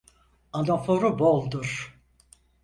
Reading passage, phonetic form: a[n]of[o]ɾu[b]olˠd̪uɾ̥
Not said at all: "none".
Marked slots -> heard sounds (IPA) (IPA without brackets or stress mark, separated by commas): n, o, b